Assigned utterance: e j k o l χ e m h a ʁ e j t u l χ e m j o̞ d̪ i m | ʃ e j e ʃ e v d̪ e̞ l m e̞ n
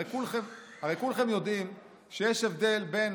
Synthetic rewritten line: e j k u l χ e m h a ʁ e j k u l χ e m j o̞ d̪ i m | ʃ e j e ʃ e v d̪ e̞ l b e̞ n